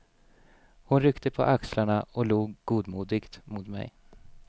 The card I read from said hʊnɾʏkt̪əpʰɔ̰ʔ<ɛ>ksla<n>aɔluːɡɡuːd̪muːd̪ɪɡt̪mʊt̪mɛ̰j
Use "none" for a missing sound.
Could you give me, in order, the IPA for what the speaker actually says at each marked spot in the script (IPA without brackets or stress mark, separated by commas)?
a, ɳ